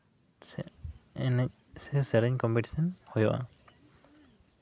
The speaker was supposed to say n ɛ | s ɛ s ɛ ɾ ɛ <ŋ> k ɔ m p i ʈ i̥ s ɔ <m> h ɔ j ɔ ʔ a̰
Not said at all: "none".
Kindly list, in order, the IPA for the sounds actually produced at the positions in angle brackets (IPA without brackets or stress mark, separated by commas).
ɲ, n